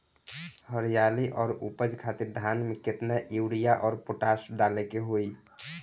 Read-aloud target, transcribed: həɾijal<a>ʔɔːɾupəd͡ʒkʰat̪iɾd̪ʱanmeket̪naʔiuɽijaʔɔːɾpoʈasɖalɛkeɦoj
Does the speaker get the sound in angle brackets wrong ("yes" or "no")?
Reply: yes